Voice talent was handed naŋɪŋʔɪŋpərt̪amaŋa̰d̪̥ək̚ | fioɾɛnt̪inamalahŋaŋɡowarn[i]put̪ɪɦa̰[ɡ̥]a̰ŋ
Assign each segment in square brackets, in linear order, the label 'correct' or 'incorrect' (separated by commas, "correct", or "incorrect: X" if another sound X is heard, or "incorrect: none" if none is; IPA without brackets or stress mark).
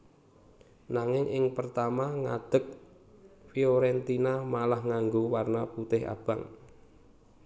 incorrect: a, incorrect: b̥